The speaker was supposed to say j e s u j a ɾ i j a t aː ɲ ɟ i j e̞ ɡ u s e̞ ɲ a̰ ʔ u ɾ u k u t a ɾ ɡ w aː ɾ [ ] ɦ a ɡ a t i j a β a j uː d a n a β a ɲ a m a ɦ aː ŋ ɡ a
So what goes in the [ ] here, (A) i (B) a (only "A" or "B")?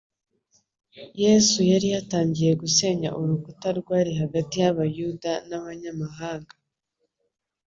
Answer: A